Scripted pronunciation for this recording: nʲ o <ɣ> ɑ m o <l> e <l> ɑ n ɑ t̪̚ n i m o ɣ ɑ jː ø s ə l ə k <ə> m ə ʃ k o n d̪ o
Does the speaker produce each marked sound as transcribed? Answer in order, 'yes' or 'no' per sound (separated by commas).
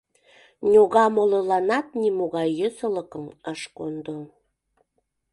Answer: yes, yes, yes, yes